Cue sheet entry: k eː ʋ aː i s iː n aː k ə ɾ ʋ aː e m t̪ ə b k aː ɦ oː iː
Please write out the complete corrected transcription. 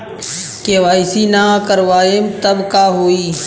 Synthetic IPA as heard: k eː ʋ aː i s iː n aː k ə ɾ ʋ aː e m t̪ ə b k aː ɦ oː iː